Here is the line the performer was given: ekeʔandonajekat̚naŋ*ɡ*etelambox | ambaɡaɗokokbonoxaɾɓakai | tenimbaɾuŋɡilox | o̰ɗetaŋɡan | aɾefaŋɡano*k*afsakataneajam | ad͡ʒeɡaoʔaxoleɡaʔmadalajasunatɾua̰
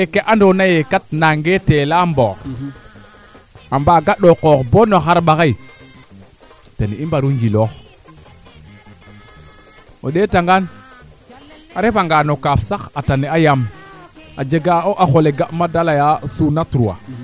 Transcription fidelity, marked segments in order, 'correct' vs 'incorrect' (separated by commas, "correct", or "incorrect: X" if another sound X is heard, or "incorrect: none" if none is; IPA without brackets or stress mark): correct, correct